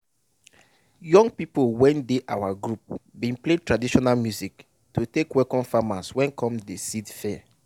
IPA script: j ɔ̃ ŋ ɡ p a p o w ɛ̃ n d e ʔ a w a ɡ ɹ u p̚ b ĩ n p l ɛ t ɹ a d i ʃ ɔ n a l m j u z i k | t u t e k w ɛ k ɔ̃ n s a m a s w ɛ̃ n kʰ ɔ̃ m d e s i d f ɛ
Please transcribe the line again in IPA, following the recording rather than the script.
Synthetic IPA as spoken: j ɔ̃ ŋ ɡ p i p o w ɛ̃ n d e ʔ a w a ɡ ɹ u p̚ b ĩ n p l e t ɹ a d i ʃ ɔ n a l m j u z i k | t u t e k w ɛ k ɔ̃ n f a m a s w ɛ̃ n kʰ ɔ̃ m d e s i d f ɛ